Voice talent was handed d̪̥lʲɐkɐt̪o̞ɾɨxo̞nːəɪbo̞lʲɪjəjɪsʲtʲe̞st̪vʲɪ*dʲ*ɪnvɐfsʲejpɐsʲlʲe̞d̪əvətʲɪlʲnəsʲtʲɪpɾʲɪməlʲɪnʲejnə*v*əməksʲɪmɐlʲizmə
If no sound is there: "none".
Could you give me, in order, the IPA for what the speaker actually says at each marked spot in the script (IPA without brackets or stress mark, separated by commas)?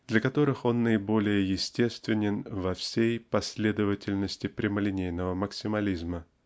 nʲ, v